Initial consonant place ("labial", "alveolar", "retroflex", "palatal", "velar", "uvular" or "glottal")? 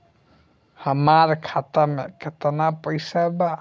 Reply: glottal